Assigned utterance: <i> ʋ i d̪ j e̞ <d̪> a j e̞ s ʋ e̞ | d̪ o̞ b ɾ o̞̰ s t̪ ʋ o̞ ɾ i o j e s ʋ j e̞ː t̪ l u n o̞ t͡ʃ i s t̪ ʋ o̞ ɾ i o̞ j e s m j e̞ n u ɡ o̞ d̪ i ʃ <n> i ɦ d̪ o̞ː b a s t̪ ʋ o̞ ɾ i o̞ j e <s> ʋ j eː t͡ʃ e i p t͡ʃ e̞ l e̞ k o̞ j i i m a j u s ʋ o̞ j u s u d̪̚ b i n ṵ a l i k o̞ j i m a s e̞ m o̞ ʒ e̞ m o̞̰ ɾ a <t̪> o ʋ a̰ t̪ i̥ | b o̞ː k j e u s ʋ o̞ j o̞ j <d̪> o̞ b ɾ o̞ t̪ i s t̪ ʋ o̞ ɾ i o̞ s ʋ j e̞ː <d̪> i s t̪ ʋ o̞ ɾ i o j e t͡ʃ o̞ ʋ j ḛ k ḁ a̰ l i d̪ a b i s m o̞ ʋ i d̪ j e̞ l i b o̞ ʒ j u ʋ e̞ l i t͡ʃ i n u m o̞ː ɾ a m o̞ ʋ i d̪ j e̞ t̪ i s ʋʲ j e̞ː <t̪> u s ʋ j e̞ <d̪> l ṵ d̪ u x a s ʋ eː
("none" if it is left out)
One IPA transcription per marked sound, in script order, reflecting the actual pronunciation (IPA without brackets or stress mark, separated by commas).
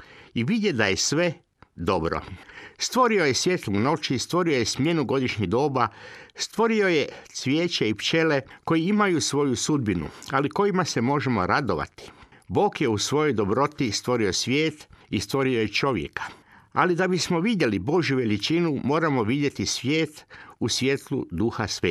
i, d̪, ɲ, s, d̪, d̪, t̪, t̪, t̪